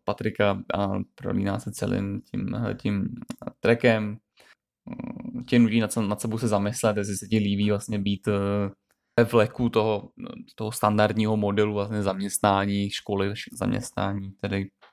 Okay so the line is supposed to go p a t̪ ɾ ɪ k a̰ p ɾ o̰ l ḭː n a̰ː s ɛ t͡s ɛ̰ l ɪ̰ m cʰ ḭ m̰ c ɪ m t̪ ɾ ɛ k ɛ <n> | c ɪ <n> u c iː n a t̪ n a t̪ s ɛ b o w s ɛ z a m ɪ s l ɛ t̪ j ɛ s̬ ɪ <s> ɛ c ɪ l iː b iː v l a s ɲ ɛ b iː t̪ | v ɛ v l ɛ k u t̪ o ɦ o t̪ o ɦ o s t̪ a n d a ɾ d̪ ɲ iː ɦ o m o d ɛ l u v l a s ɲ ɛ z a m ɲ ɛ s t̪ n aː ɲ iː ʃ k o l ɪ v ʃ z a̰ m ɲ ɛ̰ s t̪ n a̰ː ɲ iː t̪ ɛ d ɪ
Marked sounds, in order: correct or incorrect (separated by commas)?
incorrect, correct, correct